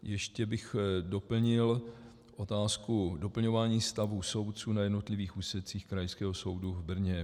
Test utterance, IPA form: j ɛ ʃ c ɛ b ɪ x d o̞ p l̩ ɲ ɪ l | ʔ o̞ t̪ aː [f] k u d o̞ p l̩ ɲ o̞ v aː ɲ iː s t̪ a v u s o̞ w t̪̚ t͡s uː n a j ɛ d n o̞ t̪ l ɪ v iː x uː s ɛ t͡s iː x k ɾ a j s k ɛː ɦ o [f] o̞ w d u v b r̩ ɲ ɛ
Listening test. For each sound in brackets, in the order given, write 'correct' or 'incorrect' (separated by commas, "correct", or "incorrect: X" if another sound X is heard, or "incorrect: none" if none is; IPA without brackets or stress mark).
incorrect: s, incorrect: s